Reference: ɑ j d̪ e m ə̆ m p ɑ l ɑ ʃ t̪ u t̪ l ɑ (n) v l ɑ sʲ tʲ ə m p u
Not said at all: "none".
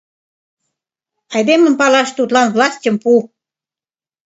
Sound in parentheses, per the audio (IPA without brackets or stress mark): n